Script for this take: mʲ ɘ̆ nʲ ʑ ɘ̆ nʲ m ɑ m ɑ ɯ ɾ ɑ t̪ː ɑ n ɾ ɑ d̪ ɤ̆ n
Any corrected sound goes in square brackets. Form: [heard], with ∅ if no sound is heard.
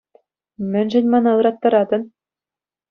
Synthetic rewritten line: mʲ ɘ̆ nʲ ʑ ɘ̆ nʲ m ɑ [n] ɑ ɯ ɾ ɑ t̪ː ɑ [∅] ɾ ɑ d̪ ɤ̆ n